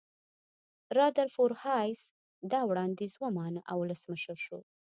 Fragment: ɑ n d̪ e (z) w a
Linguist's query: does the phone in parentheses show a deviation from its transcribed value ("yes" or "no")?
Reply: no